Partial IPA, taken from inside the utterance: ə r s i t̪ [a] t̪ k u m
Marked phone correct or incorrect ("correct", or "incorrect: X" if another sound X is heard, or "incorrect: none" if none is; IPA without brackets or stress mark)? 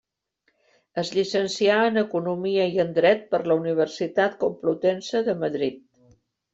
correct